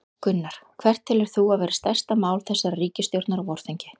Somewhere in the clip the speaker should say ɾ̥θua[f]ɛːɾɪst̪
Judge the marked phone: incorrect: v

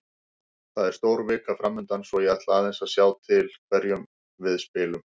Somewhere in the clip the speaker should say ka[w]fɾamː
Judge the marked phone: incorrect: none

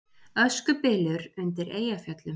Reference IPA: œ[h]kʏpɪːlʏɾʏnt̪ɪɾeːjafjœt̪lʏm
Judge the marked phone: incorrect: s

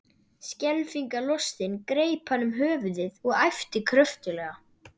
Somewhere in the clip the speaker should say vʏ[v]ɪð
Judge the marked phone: incorrect: ð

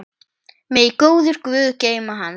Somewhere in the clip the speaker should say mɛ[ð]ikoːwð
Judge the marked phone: correct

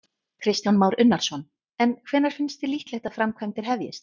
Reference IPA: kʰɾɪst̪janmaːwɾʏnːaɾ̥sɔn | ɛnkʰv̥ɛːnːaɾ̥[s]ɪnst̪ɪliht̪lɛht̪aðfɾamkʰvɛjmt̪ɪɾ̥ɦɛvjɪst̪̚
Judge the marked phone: incorrect: f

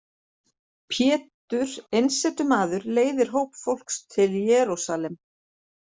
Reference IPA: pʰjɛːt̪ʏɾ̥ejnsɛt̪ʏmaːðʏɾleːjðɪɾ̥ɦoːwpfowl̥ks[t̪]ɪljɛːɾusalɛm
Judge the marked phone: incorrect: t̪ʰ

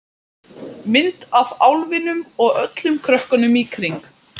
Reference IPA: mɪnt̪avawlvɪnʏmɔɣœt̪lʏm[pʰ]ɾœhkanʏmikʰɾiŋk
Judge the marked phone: incorrect: kʰ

